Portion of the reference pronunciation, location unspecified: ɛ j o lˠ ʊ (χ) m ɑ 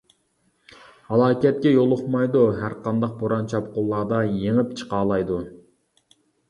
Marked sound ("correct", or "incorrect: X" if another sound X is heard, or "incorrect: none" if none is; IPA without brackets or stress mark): correct